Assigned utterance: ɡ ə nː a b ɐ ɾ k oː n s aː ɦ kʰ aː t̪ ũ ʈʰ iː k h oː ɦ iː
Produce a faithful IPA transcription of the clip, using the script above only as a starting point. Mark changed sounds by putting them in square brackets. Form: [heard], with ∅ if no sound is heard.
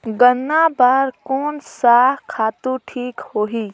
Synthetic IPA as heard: ɡ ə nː a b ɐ ɾ k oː n s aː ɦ kʰ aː t̪ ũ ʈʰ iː k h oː ɦ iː